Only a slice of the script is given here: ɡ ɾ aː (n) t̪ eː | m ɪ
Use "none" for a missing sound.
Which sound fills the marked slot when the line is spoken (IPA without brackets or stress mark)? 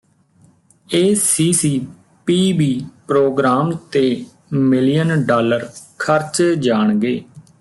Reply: m